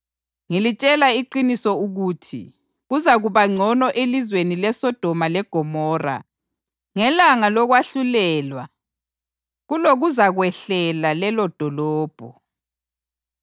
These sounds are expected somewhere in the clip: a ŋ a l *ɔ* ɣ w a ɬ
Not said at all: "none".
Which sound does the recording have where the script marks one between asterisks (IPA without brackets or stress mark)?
ɔ